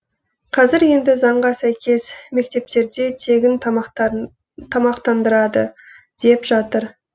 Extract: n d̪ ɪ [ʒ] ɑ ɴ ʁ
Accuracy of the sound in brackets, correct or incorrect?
incorrect: z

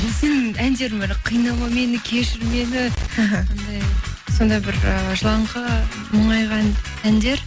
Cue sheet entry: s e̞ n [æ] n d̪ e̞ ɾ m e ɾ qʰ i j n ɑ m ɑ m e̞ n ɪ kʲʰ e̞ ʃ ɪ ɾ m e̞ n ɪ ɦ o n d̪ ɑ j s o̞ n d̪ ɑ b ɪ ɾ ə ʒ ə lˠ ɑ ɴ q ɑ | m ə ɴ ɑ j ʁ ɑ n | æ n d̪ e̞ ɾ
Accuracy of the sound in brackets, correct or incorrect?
correct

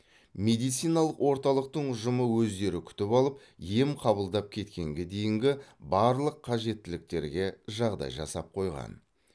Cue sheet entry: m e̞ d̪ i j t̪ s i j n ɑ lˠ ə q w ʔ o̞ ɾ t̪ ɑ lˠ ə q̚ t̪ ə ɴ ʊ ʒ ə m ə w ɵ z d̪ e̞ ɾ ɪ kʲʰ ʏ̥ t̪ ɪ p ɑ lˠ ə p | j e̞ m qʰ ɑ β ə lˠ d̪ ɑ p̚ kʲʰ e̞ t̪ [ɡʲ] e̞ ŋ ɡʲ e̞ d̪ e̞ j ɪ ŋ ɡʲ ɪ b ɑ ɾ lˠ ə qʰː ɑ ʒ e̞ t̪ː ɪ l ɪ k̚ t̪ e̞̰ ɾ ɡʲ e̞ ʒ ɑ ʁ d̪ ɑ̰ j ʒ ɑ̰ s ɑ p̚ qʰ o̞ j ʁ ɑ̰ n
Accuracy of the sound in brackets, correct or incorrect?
incorrect: kʲ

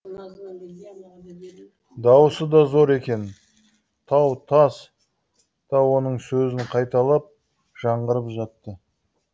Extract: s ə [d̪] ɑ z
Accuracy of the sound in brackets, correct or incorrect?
correct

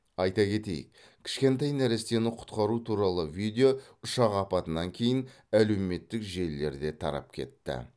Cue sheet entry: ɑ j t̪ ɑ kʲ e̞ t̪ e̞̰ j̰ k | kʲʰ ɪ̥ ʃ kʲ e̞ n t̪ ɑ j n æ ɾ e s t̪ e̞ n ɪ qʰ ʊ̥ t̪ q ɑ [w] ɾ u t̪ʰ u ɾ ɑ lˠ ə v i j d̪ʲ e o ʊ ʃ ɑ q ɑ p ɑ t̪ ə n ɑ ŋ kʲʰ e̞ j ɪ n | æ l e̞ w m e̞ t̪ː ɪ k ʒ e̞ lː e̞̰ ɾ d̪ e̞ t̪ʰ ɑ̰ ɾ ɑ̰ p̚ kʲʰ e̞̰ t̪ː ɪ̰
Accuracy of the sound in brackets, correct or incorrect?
incorrect: none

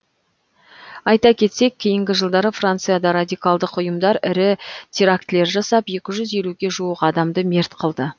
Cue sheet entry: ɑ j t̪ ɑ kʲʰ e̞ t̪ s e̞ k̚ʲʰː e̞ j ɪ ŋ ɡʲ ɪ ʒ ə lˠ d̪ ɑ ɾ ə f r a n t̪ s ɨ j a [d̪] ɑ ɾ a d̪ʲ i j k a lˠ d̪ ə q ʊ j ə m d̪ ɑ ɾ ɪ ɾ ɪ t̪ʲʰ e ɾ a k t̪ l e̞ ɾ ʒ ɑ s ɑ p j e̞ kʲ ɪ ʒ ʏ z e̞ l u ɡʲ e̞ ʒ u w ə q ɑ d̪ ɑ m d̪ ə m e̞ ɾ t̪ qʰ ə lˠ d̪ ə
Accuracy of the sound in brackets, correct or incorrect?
correct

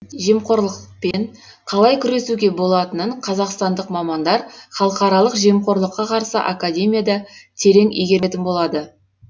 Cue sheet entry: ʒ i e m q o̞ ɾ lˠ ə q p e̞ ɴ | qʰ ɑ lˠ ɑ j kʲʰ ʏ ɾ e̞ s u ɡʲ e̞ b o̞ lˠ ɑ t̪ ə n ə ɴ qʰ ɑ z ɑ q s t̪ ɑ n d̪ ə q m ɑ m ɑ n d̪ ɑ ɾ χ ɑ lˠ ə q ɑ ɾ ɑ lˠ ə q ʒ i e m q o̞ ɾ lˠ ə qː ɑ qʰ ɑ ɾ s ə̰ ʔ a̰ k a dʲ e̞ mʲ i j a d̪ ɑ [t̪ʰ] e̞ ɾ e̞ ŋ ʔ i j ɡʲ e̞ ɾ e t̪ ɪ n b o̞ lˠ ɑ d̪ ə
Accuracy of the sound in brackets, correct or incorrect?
correct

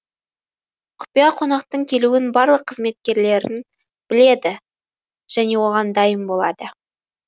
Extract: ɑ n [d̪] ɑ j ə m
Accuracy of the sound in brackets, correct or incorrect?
correct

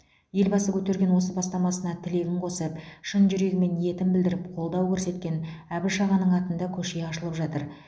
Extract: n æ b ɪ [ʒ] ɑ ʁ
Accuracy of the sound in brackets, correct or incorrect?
incorrect: ʃ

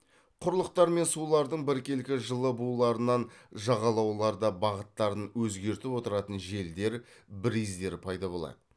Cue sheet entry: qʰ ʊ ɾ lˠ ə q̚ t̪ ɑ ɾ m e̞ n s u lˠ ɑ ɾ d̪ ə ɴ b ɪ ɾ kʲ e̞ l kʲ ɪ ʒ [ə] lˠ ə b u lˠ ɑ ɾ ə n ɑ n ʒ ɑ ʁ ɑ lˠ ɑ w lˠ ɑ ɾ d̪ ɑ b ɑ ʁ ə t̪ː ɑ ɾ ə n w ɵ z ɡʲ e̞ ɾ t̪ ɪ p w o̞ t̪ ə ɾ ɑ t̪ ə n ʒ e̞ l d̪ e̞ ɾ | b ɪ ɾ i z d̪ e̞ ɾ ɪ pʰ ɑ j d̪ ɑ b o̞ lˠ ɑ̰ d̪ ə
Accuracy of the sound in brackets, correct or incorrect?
correct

